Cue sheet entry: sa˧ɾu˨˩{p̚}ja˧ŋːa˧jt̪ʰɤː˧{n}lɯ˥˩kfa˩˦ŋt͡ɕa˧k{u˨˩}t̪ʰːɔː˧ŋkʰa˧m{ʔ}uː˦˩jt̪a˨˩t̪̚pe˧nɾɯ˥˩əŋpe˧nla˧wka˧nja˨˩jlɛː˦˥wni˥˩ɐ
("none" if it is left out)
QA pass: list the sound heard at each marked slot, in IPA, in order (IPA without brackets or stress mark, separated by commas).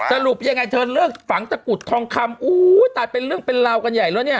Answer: p̚, n, u˨˩, ʔ